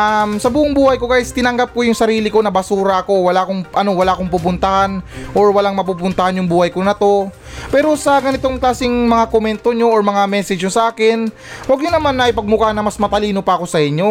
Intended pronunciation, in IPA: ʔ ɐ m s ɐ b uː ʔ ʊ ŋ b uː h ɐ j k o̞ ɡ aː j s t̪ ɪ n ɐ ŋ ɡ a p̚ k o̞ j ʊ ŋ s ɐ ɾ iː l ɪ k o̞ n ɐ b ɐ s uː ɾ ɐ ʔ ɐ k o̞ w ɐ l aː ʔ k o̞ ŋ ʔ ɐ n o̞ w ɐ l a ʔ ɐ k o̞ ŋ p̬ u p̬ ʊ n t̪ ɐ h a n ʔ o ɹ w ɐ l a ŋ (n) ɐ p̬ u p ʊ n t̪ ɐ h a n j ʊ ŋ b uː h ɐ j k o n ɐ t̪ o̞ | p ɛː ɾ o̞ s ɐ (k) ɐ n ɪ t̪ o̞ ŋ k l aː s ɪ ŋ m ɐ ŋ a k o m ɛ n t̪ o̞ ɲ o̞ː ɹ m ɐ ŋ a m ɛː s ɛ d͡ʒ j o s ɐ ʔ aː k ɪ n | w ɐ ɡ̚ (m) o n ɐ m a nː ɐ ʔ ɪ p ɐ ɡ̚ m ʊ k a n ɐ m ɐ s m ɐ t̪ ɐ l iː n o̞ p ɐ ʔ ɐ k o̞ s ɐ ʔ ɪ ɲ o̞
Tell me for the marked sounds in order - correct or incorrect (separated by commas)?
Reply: incorrect, incorrect, incorrect